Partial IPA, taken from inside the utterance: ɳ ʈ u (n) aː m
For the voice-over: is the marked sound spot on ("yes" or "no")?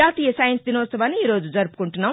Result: no